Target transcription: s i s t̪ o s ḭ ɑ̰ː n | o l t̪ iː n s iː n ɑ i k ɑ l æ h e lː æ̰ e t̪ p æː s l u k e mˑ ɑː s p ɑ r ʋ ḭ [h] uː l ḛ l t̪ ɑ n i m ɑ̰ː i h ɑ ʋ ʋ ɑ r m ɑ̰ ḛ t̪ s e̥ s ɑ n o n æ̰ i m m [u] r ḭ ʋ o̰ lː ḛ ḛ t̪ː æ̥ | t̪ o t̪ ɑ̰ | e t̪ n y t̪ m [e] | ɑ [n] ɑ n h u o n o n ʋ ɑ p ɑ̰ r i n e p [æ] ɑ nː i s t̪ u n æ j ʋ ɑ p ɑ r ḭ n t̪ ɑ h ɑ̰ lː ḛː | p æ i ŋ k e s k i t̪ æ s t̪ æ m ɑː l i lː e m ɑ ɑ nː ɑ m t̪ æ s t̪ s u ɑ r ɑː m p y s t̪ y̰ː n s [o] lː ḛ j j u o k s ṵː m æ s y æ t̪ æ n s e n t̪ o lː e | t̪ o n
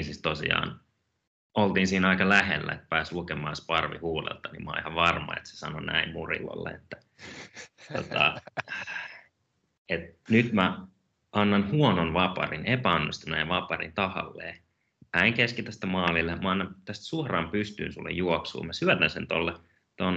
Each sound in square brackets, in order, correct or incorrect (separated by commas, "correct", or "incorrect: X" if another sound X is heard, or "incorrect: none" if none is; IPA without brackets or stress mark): correct, correct, incorrect: æ, incorrect: nː, correct, incorrect: u